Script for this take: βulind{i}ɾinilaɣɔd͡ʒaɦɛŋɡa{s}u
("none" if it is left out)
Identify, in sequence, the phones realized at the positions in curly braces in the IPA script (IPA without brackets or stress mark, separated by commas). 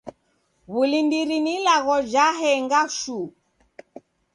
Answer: i, ʃ